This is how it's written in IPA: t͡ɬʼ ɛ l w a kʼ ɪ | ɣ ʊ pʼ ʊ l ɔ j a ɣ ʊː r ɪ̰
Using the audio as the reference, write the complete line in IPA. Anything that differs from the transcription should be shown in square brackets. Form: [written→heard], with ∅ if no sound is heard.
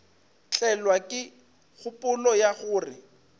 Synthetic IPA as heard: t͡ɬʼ ɛ l w a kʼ ɪ | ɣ ʊ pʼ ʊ l ɔ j a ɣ ʊː r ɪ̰